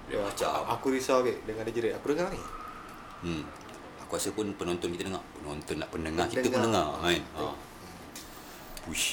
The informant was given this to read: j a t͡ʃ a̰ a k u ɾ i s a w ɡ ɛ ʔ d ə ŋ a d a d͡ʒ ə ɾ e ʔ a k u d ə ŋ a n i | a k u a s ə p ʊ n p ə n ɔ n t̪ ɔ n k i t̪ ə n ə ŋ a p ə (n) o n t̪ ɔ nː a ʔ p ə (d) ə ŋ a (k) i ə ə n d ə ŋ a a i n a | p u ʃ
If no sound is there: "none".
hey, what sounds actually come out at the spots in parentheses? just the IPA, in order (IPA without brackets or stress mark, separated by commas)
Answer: n, n, k